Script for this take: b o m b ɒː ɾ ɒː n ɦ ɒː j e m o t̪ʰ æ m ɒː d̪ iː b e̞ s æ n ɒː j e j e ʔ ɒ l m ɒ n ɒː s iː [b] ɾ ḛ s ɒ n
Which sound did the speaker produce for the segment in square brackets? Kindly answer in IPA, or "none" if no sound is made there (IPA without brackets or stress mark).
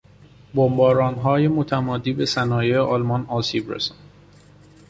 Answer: b